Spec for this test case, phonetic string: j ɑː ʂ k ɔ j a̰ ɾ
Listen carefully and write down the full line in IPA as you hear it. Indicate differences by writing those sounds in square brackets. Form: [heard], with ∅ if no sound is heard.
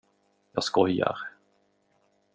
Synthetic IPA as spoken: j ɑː [s] k ɔ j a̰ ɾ